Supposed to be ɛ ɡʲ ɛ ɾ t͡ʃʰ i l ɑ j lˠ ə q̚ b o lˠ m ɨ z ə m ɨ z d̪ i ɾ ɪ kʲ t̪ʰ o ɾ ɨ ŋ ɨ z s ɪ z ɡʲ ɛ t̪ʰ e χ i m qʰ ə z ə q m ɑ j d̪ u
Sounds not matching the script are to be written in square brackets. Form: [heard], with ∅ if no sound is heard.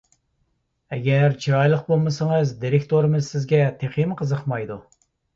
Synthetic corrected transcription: ɛ ɡʲ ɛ ɾ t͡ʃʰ i [ɾ] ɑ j lˠ ə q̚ b o lˠ m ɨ [s] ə [ŋ] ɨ z d̪ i ɾ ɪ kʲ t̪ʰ o ɾ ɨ [m] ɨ z s ɪ z ɡʲ ɛ t̪ʰ e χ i m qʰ ə z ə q m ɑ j d̪ u